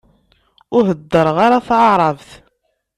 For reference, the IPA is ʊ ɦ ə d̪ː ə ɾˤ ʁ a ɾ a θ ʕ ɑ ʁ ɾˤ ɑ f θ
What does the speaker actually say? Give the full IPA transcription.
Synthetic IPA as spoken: ʊ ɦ ə d̪ː ə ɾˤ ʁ a ɾ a θ ʕ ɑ ʕ ɾˤ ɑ v θ